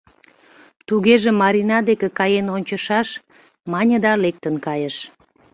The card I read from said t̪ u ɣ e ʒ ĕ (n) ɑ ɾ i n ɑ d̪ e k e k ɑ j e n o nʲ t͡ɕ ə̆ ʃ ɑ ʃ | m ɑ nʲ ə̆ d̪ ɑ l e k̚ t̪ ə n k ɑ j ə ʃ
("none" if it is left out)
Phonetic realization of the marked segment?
m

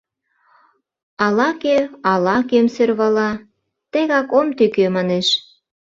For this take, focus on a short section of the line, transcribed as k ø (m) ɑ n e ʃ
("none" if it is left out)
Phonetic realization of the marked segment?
m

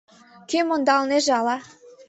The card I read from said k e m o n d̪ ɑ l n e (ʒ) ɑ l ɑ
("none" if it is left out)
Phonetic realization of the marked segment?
ʒ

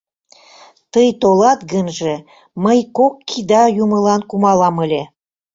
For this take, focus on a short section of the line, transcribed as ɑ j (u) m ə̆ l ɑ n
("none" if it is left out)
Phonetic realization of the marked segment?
u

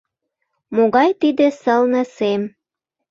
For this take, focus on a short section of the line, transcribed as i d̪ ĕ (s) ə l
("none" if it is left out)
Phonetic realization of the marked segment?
s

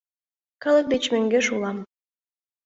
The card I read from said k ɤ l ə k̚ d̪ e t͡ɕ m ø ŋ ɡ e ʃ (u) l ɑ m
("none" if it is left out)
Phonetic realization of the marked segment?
u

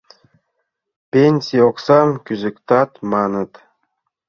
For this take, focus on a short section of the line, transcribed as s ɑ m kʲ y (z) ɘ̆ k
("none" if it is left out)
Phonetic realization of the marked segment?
z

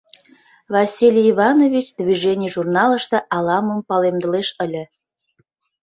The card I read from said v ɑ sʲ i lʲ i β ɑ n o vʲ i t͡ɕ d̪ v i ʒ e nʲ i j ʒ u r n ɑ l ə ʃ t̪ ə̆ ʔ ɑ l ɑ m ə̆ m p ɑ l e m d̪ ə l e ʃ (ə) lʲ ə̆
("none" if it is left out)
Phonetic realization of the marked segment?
ə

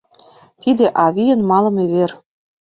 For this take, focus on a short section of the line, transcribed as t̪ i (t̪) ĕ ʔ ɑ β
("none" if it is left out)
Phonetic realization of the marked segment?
d̪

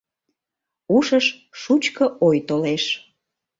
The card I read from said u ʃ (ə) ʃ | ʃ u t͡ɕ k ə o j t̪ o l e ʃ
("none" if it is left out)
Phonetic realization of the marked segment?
ə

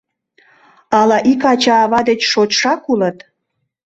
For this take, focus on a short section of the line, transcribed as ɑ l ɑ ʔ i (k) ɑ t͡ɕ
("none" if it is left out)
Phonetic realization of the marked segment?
k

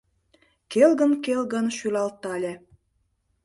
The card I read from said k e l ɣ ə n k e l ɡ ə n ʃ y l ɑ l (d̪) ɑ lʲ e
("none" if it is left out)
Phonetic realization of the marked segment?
t̪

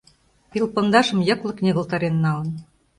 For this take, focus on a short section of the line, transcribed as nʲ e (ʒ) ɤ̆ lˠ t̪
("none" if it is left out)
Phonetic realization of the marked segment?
ɣ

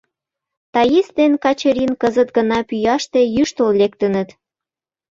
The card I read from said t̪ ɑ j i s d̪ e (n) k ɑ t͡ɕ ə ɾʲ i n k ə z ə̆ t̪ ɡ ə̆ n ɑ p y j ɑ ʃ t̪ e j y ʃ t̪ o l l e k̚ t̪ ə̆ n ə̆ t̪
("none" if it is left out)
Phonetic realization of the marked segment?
n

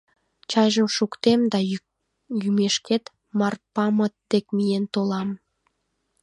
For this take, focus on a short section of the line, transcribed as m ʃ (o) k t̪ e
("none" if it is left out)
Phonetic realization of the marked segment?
u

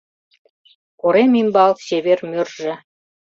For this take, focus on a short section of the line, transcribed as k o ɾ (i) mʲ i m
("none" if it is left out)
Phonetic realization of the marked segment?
e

